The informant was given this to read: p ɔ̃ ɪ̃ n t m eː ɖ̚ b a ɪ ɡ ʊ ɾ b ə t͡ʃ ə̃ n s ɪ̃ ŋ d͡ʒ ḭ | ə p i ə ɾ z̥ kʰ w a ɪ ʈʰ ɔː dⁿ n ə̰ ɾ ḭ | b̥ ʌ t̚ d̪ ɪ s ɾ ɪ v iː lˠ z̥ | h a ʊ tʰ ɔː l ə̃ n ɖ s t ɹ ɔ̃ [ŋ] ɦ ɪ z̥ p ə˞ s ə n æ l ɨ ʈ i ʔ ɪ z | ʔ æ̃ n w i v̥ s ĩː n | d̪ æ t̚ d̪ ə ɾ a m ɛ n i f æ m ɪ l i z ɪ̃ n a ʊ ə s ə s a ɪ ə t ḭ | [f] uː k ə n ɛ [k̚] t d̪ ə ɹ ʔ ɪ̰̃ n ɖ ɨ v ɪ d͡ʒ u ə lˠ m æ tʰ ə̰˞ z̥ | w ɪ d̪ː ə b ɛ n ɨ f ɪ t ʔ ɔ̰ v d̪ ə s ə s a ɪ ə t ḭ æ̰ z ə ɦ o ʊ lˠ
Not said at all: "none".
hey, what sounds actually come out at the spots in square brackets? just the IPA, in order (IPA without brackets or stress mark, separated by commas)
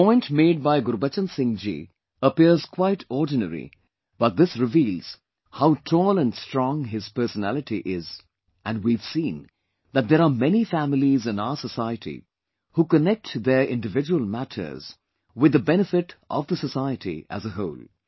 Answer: ŋ, h, k̚